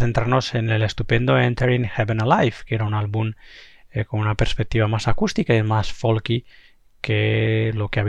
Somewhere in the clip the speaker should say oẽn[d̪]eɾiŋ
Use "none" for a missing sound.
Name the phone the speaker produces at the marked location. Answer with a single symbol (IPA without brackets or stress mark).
t̪